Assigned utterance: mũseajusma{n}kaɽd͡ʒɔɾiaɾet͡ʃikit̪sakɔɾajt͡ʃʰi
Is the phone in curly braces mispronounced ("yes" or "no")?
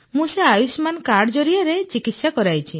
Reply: no